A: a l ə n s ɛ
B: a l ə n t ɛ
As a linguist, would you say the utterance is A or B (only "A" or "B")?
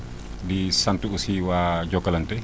B